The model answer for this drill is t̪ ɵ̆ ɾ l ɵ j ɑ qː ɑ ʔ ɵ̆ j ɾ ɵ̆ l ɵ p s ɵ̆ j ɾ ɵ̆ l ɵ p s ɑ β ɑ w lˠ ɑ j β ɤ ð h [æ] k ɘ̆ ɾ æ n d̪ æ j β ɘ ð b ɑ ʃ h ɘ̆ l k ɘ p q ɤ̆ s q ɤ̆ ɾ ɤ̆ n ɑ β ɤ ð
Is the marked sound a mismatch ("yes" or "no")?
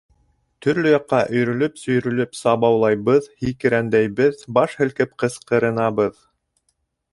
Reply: yes